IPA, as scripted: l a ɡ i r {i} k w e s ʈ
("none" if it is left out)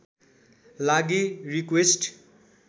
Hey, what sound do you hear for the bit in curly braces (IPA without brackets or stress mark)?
i